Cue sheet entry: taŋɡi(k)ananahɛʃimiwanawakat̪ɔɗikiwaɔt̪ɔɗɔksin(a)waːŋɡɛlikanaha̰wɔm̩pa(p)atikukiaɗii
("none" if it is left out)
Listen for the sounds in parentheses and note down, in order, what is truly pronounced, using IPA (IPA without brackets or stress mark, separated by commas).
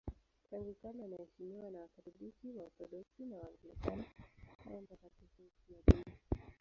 k, a, k